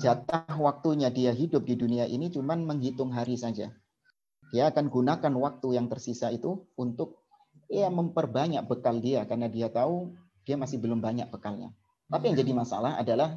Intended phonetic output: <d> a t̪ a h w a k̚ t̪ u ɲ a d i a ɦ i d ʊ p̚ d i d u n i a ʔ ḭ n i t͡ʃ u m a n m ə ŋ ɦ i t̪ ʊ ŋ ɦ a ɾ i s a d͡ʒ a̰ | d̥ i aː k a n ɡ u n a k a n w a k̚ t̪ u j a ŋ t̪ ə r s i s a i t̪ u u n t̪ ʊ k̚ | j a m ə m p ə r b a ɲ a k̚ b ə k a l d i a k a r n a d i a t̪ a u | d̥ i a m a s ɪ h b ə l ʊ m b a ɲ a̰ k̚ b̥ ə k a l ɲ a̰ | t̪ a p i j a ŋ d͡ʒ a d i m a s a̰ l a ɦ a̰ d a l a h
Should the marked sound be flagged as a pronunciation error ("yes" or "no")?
yes